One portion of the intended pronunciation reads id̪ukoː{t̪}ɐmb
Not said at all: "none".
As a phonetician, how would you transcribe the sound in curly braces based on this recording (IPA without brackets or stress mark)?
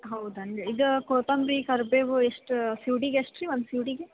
t̪